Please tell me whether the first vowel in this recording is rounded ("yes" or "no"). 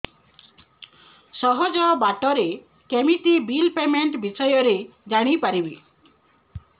yes